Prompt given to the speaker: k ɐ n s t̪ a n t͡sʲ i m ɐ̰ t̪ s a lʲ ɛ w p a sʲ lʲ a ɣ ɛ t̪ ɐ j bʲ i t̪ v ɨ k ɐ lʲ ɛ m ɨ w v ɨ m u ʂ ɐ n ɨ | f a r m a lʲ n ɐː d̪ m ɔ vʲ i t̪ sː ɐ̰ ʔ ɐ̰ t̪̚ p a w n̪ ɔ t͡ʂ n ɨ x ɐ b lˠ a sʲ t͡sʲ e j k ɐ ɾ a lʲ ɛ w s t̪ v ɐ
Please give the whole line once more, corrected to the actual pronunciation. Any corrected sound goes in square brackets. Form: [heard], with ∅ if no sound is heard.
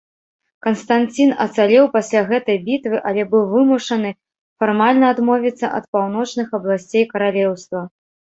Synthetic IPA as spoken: k ɐ n s t̪ a n t͡sʲ i [n] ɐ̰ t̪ s a lʲ ɛ w p a sʲ lʲ a ɣ ɛ t̪ ɐ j bʲ i t̪ v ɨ [ʔ] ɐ lʲ ɛ [b] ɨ w v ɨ m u ʂ ɐ n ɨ | f a r m a lʲ n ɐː d̪ m ɔ vʲ i t̪ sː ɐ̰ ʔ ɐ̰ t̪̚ p a w n̪ ɔ t͡ʂ n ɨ x ɐ b lˠ a sʲ t͡sʲ e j k ɐ ɾ a lʲ ɛ w s t̪ v ɐ